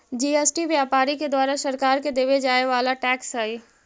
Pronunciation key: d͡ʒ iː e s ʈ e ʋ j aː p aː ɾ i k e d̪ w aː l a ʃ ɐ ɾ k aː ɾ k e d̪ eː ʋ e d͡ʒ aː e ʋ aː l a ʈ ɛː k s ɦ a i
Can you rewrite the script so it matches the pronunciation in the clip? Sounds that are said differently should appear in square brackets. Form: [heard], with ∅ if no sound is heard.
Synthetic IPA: d͡ʒ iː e s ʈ [i] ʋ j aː p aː ɾ i k e d̪ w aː [ɾ] a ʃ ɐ ɾ k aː ɾ k e d̪ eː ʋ e d͡ʒ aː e ʋ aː l a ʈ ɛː k s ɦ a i